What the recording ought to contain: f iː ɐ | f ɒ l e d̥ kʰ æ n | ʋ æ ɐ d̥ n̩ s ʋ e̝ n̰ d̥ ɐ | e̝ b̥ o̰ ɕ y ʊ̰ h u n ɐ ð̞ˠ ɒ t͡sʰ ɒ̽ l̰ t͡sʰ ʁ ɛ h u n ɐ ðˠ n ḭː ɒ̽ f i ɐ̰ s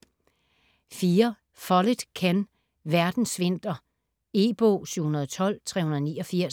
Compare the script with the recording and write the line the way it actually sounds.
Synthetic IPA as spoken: f iː ɐ | f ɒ l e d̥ kʰ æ n | ʋ æ ɐ d̥ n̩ s ʋ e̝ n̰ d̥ ɐ | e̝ b̥ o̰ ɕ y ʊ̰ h u n ɐ ð̞ˠ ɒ t͡sʰ ɒ̽ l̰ t͡sʰ ʁ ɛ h u n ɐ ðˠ n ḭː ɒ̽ f i ɐ̰ s